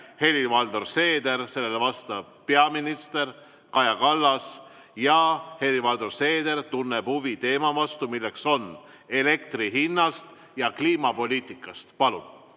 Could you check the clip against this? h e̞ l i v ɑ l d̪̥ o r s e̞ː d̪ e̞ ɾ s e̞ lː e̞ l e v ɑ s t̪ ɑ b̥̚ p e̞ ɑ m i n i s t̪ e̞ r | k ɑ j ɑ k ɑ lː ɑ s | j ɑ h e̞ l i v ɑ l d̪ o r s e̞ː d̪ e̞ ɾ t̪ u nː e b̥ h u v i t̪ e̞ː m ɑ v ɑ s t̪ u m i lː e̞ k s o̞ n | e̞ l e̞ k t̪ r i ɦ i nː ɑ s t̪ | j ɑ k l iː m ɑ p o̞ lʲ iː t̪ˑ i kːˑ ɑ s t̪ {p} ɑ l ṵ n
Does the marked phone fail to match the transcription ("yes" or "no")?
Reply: no